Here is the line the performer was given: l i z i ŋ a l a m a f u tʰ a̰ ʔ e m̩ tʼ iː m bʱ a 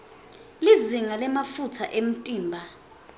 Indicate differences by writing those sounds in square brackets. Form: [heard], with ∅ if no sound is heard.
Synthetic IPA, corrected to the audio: l i z i ŋ a l [ɛ] m a f u tʰ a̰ ʔ e m̩ tʼ iː m bʱ a